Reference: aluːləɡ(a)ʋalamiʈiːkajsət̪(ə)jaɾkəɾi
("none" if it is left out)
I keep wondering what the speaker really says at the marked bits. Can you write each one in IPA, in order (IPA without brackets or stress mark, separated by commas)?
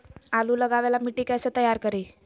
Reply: a, ə